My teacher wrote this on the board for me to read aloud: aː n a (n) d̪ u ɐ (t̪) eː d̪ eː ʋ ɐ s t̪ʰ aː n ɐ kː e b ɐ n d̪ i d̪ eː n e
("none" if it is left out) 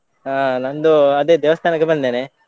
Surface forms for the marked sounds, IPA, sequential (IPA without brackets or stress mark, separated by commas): n, d̪